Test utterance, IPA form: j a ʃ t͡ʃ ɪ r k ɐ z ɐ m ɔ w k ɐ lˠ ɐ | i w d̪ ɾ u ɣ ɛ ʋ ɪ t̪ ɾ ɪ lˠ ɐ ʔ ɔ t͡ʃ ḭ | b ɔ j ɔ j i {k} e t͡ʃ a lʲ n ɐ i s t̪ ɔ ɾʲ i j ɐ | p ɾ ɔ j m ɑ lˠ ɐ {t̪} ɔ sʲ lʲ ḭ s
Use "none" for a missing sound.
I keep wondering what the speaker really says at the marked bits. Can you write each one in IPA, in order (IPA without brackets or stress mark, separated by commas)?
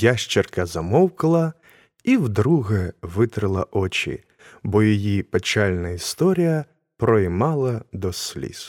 p, d̪